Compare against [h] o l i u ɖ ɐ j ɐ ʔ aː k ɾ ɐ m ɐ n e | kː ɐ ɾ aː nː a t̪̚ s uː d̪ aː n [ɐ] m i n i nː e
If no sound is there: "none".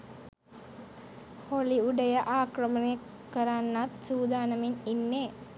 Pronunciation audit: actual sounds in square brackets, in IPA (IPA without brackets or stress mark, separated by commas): h, ɐ